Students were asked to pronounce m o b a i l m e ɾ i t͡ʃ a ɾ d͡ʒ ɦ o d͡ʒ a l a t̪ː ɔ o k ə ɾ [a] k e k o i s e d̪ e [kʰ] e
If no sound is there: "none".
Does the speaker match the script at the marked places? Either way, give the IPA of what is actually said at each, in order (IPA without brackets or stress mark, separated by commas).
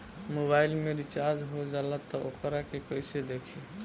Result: a, kʰ